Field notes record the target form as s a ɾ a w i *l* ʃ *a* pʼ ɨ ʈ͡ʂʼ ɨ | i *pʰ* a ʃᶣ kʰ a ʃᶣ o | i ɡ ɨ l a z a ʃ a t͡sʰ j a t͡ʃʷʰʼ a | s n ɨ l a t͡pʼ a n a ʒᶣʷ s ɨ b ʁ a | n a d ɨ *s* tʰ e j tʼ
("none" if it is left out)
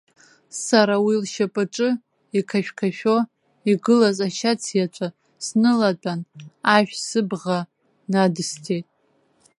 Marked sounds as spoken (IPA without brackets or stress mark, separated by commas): l, a, kʰ, s